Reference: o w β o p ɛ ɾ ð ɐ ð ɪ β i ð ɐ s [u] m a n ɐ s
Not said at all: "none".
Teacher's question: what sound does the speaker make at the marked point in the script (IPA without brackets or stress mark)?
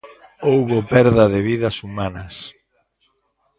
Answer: u